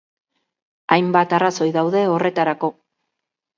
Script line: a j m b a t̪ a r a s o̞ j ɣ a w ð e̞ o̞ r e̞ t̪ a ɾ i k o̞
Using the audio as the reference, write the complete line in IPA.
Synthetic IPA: a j m b a t̪ a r a s o̞ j ð a w ð e̞ o̞ r e̞ t̪ a ɾ a k o̞